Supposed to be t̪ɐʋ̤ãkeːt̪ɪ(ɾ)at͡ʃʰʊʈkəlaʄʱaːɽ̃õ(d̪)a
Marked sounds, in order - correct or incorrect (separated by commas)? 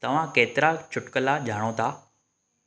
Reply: correct, incorrect